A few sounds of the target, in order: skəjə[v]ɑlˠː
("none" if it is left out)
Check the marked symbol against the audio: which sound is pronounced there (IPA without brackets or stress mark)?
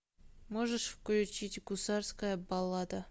b